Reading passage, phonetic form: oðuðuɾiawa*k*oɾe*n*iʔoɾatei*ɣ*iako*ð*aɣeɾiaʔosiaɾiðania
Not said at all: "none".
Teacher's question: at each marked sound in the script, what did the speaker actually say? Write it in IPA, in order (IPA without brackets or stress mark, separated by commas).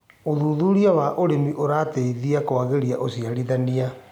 ʔ, m, ð, none